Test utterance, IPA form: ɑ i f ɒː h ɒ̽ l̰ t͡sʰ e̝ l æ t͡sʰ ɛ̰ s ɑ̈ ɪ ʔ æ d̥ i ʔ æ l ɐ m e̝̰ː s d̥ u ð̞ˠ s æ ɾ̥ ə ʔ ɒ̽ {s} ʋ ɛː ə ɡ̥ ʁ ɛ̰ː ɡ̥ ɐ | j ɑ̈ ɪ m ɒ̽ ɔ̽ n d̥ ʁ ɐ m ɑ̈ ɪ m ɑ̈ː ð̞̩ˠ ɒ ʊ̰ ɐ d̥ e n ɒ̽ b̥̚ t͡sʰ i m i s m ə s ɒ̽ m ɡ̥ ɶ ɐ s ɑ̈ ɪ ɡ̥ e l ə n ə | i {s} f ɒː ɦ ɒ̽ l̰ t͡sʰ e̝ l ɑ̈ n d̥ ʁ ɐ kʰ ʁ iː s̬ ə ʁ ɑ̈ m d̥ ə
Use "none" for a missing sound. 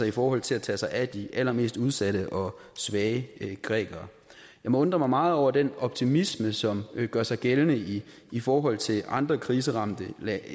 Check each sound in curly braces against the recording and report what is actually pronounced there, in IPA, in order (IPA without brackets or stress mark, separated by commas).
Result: s, none